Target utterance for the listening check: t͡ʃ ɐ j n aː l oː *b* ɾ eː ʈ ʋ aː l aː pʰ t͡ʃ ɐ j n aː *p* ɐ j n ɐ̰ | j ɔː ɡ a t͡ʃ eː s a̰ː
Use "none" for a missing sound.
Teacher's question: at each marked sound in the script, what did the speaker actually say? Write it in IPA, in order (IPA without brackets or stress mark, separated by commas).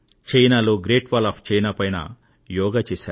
ɡ, p